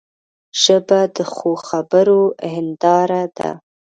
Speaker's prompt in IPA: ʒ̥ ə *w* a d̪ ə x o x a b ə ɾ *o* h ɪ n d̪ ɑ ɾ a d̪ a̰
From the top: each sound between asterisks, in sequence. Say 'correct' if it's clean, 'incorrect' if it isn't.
incorrect: b, correct

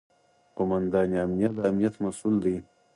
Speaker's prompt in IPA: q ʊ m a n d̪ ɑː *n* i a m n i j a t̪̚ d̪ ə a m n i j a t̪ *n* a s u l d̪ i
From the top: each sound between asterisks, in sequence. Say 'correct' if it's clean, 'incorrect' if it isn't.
correct, incorrect: m

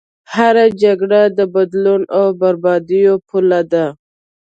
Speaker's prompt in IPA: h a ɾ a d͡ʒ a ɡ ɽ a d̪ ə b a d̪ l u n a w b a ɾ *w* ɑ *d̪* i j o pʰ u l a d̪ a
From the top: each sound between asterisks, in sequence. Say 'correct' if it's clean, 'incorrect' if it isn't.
incorrect: b, correct

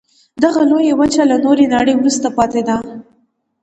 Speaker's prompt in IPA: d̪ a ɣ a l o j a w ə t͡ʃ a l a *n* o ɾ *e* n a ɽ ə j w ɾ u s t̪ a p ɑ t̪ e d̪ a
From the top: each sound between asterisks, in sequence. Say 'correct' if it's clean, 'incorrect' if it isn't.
correct, correct

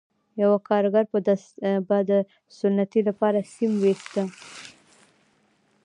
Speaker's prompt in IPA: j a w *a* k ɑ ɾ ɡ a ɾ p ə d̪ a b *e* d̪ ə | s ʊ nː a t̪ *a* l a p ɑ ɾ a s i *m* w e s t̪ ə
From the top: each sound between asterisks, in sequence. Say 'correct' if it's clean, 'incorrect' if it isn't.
correct, incorrect: a, incorrect: i, correct

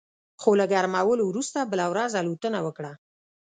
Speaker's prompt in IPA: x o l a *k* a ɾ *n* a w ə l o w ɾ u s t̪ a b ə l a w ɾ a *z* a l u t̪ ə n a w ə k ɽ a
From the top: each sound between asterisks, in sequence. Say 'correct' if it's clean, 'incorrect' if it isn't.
incorrect: ɡ, incorrect: m, correct

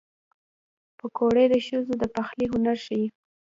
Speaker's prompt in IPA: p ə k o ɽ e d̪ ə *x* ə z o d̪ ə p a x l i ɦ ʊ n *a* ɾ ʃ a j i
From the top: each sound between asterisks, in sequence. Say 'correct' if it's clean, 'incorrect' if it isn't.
incorrect: ʃ, correct

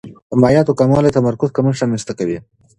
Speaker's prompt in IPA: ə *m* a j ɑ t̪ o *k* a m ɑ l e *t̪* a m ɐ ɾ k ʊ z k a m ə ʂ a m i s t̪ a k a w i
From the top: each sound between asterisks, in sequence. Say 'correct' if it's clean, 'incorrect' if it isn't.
correct, correct, correct

